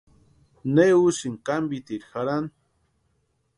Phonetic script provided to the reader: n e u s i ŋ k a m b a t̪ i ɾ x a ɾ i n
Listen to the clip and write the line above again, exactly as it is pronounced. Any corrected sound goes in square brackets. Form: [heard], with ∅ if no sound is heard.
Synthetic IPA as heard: n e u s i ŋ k a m b [i] t̪ i ɾ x a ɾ [a] n